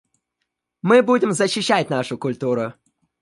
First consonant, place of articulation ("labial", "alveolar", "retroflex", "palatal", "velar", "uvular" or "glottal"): labial